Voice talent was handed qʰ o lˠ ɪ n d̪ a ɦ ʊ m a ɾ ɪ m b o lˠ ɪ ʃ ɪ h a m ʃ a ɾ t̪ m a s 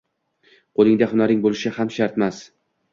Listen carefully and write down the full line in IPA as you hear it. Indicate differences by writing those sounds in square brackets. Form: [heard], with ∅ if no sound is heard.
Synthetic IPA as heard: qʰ o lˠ ɪ [ŋ] d̪ a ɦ ʊ [n] a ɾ ɪ [ŋ] b o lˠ ɪ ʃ ɪ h a m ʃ a ɾ t̪ m a s